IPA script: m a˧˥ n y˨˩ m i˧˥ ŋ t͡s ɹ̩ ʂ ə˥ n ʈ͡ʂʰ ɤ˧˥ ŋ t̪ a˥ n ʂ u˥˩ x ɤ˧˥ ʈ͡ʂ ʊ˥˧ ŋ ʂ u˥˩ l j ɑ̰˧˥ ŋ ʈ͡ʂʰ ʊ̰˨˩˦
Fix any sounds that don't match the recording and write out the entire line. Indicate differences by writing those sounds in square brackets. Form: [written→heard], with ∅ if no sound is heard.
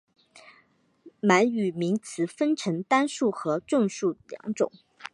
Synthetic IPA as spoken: m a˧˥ n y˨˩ m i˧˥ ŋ [t͡s→t͡sʰ] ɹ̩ [ʂ→f] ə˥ n ʈ͡ʂʰ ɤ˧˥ ŋ t̪ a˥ n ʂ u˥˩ x ɤ˧˥ ʈ͡ʂ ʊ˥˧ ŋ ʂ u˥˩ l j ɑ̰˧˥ ŋ [ʈ͡ʂʰ→ʈ͡ʂ] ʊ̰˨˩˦